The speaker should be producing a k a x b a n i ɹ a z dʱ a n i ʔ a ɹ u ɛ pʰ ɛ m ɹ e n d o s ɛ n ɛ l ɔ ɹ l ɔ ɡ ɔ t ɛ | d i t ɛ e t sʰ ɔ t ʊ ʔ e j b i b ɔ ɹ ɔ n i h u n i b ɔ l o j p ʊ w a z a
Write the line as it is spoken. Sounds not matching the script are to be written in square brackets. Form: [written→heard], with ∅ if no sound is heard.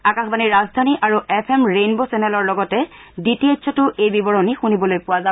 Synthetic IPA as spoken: a k a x b a n i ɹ a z dʱ a n i ʔ a ɹ u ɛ pʰ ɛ m ɹ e n [d→b] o s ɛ n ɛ l ɔ ɹ l ɔ ɡ ɔ t ɛ | d i t [ɛ→i] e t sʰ ɔ t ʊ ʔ e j b i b ɔ ɹ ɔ n i [h→x] u n i b ɔ l o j p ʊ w a z a